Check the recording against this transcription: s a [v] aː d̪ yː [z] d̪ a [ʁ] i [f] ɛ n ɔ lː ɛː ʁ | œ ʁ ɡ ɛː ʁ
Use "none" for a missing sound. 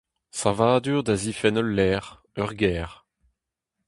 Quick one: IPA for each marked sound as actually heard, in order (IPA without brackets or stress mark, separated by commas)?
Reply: v, ʁ, z, f